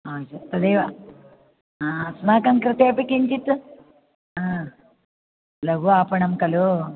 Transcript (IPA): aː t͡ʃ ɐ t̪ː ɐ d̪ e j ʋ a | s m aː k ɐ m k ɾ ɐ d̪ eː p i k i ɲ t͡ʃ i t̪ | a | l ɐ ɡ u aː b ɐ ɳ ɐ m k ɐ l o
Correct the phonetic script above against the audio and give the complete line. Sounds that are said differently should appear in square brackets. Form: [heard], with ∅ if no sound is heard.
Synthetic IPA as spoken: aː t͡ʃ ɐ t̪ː ɐ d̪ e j ʋ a | s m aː k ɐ [ŋ] k ɾ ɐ [t̪] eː p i k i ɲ t͡ʃ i t̪ | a | l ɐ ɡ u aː [p] ɐ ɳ ɐ m k ɐ l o